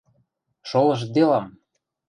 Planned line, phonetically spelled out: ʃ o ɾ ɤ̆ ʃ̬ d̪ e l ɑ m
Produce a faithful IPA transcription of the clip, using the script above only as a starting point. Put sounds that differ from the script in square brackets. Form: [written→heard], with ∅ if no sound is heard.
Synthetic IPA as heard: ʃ o [ɾ→l] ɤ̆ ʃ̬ d̪ e l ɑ m